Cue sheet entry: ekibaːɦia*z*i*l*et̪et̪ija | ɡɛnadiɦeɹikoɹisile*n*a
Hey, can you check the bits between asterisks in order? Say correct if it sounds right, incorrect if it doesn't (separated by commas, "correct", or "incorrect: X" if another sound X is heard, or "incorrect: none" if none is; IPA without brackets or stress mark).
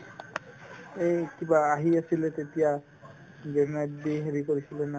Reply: incorrect: s, correct, correct